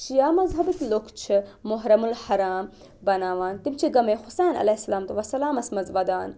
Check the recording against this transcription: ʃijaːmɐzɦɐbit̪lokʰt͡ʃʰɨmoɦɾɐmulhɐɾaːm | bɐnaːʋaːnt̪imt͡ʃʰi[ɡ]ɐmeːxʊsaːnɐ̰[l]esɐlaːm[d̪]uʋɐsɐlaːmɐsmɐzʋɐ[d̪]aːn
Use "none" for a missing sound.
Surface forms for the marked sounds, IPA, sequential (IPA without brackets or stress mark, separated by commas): ɡ, l, t̪, d̪